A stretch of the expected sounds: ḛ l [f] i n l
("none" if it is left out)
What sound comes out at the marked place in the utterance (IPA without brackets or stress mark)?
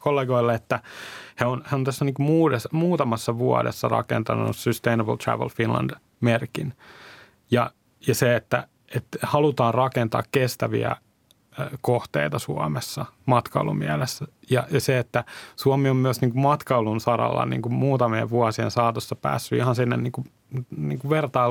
f